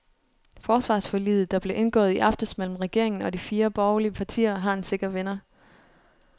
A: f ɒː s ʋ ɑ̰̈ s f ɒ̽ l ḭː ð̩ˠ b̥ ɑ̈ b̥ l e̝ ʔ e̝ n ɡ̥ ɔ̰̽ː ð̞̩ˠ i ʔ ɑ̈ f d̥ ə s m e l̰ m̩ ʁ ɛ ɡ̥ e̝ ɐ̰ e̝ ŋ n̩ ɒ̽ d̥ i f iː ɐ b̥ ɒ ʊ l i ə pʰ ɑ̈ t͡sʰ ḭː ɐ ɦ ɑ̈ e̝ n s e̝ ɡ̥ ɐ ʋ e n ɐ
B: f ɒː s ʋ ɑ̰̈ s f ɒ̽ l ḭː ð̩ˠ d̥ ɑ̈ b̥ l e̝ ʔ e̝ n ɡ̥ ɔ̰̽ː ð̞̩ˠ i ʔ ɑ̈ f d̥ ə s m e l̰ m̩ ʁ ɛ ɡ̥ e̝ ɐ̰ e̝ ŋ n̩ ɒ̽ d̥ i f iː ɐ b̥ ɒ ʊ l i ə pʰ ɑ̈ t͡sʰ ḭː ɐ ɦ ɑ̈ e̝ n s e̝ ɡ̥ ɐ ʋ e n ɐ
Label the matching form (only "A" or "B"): B